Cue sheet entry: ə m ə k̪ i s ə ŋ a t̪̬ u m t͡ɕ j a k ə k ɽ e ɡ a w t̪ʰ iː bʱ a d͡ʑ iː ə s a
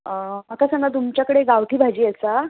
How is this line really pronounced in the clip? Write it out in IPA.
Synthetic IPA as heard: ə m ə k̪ a s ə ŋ a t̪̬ u m t͡ɕ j a k ə ɽ e ɡ a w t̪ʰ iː bʱ a d͡ʑ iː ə s a

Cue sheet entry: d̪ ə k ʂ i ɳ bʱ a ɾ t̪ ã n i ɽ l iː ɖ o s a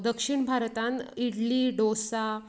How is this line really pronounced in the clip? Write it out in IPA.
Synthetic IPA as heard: d̪ ə k ʂ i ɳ bʱ a ɾ t̪ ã n i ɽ l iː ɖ o s a

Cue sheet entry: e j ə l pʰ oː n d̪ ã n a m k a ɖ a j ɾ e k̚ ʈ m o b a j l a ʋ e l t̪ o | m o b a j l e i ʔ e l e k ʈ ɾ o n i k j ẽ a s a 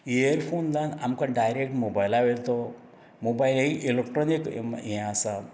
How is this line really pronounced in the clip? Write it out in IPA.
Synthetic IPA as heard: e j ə ɾ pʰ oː n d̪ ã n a m k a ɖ a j ɾ e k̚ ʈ m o b a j l a ʋ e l t̪ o | m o b a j l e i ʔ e l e k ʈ ɾ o n i k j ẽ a s a

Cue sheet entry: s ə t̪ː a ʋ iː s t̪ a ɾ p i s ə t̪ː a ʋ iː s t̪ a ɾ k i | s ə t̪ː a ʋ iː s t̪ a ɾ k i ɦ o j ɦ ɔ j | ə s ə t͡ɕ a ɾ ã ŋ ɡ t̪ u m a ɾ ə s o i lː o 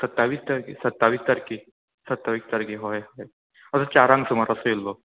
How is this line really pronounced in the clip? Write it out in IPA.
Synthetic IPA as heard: s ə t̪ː a ʋ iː s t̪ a ɾ k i s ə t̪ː a ʋ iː s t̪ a ɾ k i | s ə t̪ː a ʋ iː s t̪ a ɾ k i ɦ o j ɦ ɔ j | ə s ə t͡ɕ a ɾ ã ŋ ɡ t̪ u m a ɾ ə s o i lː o

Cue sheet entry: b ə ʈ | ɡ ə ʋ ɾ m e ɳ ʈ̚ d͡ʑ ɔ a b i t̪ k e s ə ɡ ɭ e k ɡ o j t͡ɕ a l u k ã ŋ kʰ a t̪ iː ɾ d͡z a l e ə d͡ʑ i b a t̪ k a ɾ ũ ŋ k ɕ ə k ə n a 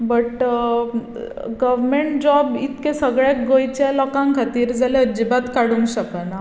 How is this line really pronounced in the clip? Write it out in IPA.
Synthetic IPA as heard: b ə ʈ | ɡ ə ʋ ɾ m e ɳ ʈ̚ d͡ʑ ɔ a b i t̪ k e s ə ɡ ɭ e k ɡ o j t͡ɕ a l ɔ k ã ŋ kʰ a t̪ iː ɾ d͡z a l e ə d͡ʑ i b a t̪ k a ɽ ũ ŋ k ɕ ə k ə n a

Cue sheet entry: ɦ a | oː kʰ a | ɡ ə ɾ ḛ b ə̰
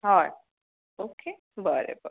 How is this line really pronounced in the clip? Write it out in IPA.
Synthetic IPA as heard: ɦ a | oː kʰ e | b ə ɾ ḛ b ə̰

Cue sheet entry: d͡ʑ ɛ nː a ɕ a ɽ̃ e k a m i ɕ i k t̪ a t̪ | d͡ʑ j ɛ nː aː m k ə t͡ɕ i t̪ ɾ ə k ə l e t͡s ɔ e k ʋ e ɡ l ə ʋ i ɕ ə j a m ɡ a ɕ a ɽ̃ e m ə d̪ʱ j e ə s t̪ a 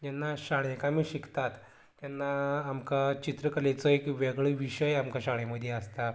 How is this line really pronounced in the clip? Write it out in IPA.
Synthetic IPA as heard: d͡ʑ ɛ nː a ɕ a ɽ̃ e k a m i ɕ i k t̪ a t̪ | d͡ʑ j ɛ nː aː m k a t͡ɕ i t̪ ɾ ə k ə l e t͡s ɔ e k ʋ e ɡ ɭ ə ʋ i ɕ ə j a m k a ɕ a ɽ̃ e m ə d̪ʱ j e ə s t̪ a

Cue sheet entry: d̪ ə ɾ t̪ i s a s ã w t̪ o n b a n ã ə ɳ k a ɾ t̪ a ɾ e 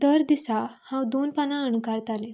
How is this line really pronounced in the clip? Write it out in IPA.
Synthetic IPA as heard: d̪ ə ɾ d̪ i s a h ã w d̪ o n p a n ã ə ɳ k a ɾ t̪ a l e

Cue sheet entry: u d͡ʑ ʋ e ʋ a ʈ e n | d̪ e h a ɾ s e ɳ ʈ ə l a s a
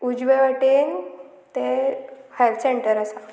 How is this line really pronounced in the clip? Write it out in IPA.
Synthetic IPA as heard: u d͡ʑ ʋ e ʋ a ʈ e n | t̪ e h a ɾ s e ɳ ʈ ə ɾ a s a

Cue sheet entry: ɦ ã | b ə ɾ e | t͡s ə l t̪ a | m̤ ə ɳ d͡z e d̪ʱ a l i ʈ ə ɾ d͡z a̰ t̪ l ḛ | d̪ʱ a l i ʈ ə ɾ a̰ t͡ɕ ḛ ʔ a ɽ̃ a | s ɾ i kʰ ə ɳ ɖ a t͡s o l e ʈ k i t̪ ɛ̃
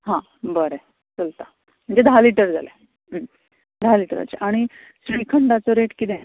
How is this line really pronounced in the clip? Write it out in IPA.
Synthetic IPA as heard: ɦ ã | b ə ɾ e | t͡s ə l t̪ a | m̤ ə ɳ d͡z e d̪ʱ a l i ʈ ə ɾ d͡z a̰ l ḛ | d̪ʱ a l i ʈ ə ɾ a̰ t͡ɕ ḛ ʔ a ɽ̃ i | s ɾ i kʰ ə ɳ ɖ a t͡s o ɾ e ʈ k i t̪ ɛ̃

